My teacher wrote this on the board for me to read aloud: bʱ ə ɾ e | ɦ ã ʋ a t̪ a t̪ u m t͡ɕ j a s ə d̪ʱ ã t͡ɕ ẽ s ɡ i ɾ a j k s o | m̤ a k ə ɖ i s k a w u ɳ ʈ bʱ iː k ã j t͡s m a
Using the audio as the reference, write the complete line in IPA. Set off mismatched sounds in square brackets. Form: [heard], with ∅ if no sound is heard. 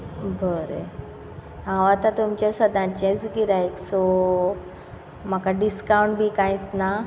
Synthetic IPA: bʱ ə ɾ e | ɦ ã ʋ a t̪ a t̪ u m t͡ɕ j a s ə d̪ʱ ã t͡ɕ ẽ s ɡ i ɾ a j k s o | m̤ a k [a] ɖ i s k a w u ɳ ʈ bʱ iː k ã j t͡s [n] a